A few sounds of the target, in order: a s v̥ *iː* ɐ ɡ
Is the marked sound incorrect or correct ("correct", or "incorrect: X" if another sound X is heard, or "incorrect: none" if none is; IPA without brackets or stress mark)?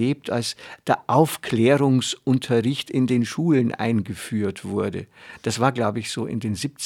incorrect: aː